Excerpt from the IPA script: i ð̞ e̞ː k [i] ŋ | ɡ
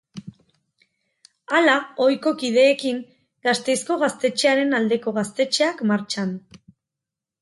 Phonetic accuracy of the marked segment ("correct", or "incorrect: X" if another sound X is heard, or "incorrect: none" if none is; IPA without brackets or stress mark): correct